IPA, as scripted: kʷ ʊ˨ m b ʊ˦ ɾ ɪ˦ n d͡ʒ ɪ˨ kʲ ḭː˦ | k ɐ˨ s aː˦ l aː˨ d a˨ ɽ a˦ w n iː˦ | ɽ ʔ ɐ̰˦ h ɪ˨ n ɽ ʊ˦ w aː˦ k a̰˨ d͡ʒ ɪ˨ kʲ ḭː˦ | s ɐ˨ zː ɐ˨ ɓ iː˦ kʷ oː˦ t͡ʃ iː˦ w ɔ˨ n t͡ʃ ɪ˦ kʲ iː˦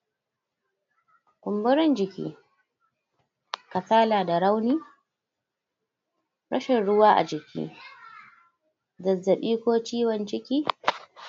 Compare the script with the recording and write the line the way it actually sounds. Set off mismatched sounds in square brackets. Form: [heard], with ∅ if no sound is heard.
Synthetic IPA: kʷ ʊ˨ m b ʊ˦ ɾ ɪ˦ n d͡ʒ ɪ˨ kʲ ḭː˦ | k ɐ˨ s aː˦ l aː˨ d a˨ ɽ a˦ w n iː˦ | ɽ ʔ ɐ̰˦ [ʃ] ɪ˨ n ɽ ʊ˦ w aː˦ [ʔ] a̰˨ d͡ʒ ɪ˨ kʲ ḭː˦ | [z] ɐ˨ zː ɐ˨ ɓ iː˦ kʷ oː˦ t͡ʃ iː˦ w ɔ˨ n t͡ʃ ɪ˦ kʲ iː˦